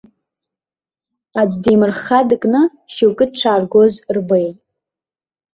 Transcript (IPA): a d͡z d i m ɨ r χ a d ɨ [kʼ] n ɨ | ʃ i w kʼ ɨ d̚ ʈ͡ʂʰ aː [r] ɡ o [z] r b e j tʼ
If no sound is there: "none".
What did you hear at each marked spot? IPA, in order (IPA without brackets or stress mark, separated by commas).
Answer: kʼ, r, z